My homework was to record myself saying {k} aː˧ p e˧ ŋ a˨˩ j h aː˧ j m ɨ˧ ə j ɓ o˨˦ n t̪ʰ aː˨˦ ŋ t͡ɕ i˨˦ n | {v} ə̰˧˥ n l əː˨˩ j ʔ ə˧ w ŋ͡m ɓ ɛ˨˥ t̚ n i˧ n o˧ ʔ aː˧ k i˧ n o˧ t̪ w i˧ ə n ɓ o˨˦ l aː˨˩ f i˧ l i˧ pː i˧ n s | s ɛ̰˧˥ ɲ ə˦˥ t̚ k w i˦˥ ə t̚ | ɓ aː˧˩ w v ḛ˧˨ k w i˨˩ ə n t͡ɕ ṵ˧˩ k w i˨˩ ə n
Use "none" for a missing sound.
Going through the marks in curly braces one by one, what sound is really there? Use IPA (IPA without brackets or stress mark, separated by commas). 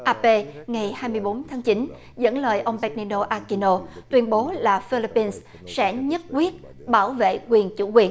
ʔ, z